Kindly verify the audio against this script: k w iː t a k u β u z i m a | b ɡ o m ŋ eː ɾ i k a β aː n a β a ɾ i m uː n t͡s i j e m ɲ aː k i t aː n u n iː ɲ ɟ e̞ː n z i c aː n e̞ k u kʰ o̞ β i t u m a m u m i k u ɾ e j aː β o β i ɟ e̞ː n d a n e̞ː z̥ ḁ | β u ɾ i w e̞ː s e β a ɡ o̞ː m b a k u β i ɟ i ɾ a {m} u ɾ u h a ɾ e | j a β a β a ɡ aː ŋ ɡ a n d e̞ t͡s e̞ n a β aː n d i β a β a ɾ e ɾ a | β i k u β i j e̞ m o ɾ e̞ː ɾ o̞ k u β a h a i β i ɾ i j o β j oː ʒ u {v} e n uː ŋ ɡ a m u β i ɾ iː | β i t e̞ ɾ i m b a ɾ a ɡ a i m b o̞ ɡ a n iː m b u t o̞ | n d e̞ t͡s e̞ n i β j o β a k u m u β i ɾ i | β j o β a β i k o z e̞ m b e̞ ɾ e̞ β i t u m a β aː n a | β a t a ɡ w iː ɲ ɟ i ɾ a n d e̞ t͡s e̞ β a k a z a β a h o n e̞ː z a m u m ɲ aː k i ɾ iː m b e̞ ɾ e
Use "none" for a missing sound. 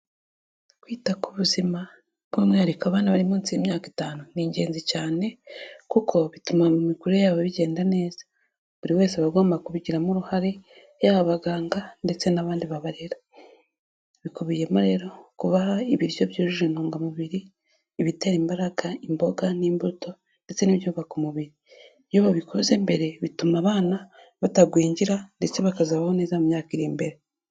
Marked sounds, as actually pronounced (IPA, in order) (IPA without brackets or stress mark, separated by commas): m, ʒ